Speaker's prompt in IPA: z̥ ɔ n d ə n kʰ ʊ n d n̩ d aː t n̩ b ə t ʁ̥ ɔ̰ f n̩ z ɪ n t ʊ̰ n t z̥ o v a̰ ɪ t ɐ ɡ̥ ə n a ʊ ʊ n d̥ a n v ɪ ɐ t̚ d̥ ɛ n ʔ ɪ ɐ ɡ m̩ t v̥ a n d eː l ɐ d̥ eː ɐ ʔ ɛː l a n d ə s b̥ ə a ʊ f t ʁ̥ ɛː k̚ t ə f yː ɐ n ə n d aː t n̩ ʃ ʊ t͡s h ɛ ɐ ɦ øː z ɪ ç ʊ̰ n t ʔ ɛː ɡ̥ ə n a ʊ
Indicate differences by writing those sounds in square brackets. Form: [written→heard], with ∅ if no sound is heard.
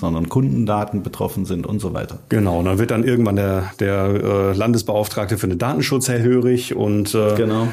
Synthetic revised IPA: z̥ ɔ n d [ə→ɐ] n kʰ ʊ n d n̩ d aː t n̩ b ə t ʁ̥ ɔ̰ f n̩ z ɪ n t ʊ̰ n t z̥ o v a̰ ɪ t ɐ ɡ̥ ə n a ʊ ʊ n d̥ a n v ɪ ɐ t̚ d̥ [ɛ→a] n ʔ ɪ ɐ ɡ [m̩→ŋ̩] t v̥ a n d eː [l→∅] ɐ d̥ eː ɐ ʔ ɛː l a n d ə s b̥ ə a ʊ f t ʁ̥ [ɛː→aː] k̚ t ə f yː ɐ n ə n d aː t n̩ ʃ ʊ t͡s h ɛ ɐ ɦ øː [z→ʁ] ɪ ç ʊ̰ n t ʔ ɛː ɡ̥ ə n a ʊ